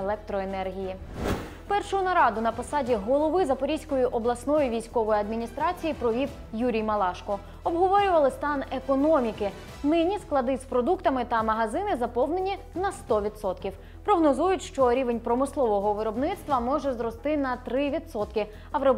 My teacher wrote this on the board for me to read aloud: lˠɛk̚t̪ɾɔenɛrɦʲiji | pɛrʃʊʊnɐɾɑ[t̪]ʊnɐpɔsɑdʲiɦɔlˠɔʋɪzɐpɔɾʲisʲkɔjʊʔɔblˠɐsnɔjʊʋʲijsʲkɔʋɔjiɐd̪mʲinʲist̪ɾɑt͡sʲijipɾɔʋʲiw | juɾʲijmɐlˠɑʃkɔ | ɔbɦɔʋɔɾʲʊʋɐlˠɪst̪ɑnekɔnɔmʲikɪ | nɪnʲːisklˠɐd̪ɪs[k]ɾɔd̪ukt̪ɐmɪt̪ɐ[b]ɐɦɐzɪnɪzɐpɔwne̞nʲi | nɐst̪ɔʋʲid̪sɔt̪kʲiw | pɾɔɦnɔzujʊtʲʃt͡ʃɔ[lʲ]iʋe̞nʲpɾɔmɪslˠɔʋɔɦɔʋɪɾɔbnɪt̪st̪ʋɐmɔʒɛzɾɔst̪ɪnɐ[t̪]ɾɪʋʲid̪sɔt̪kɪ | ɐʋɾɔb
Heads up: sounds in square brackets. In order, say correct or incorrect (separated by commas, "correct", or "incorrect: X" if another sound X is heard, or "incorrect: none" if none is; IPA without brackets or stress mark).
incorrect: d̪, incorrect: p, incorrect: m, incorrect: ɾʲ, correct